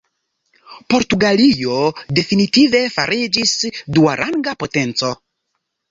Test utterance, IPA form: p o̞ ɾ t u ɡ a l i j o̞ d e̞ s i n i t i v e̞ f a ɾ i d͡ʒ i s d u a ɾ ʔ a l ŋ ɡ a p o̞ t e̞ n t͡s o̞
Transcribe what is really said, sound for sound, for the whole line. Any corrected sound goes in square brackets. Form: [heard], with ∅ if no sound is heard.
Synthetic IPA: p o̞ ɾ t u ɡ a l i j o̞ d e̞ [f] i n i t i v e̞ f a ɾ i d͡ʒ i s d u a ɾ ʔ a [∅] ŋ ɡ a p o̞ t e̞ n t͡s o̞